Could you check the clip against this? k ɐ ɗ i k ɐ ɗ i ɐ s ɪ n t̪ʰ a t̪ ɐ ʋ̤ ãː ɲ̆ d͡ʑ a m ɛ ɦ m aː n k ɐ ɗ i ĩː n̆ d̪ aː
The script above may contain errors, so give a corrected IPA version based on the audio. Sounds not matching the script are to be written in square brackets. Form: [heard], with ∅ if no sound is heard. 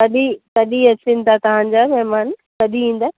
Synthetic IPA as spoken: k ɐ ɗ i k ɐ ɗ i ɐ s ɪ n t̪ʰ a t̪ ɐ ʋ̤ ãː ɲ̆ d͡ʑ a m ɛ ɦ m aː n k ɐ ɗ i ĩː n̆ d̪ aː